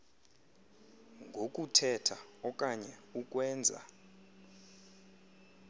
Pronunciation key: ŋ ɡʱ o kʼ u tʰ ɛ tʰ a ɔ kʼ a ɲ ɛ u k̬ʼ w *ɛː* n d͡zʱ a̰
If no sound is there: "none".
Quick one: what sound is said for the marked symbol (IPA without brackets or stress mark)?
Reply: ɛː